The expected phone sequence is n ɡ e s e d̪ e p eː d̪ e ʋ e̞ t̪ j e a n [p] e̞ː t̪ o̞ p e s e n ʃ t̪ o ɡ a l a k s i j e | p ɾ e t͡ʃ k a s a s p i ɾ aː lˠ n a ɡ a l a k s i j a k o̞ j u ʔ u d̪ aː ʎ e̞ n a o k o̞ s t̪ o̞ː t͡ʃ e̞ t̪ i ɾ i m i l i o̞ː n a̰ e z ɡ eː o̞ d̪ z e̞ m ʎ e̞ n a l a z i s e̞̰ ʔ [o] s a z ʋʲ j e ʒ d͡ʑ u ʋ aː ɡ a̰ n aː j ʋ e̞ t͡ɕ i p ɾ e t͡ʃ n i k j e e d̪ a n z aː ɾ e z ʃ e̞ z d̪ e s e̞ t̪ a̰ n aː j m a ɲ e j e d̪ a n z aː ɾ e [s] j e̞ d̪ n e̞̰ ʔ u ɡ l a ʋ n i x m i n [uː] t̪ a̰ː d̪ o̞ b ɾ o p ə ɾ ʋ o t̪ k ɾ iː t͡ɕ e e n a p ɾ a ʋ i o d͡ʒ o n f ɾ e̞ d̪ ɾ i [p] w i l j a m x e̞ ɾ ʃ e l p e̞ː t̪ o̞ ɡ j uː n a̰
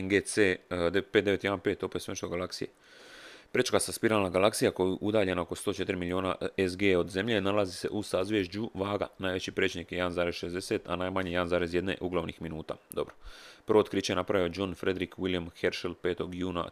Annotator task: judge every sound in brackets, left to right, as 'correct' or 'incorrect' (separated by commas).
correct, incorrect, incorrect, correct, incorrect